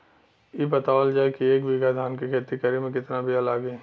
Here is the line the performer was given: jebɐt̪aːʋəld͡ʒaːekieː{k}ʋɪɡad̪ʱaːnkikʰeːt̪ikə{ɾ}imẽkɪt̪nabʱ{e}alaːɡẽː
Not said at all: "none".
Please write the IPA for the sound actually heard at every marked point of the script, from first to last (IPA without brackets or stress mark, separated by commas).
k, ɾ, i